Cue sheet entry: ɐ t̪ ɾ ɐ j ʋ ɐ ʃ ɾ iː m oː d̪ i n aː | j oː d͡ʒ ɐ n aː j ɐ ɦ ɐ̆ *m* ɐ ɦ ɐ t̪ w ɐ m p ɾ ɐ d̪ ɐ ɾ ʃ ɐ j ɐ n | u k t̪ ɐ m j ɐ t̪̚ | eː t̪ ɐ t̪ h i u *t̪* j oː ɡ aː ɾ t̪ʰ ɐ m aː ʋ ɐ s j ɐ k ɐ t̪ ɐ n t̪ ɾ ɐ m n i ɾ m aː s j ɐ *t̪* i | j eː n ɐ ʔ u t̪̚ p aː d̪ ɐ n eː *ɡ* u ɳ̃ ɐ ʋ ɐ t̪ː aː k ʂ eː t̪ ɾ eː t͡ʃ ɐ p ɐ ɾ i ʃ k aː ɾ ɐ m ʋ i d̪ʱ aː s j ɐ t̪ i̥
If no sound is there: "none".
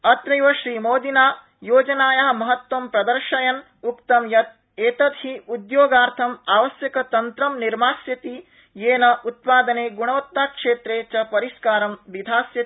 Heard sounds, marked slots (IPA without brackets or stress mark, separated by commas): m, d̪, t̪, ɡ